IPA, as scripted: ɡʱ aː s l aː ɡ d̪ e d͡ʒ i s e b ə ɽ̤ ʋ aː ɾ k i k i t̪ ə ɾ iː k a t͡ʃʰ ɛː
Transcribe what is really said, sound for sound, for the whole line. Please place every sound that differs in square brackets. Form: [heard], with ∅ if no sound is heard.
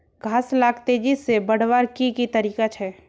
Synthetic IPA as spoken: ɡʱ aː s l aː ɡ [t̪] e d͡ʒ i s e b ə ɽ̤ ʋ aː ɾ k i k i t̪ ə ɾ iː k a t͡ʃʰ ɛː